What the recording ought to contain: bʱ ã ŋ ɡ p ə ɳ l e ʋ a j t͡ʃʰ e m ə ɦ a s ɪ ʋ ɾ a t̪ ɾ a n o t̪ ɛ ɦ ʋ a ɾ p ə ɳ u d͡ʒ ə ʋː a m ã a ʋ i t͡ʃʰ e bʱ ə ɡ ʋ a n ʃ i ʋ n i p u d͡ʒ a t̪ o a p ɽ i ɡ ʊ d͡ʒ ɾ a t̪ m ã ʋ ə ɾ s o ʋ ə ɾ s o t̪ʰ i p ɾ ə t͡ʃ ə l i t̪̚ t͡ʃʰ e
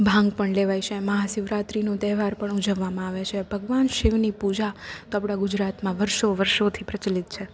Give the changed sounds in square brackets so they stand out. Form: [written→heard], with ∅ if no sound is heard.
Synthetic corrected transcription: bʱ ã ŋ ɡ p ə ɳ l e ʋ a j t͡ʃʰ e m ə ɦ a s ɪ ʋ ɾ a t̪ ɾ [a→i] n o t̪ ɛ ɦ ʋ a ɾ p ə ɳ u d͡ʒ ə ʋː a m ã a ʋ [i→e] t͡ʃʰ e bʱ ə ɡ ʋ a n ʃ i ʋ n i p u d͡ʒ a t̪ o a p ɽ [i→a] ɡ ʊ d͡ʒ ɾ a t̪ m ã ʋ ə ɾ [s→ʃ] o ʋ ə ɾ [s→ʃ] o t̪ʰ i p ɾ ə t͡ʃ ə l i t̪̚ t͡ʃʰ e